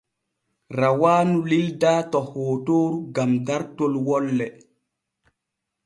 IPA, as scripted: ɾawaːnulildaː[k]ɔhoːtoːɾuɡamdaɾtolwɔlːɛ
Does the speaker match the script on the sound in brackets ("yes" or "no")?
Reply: no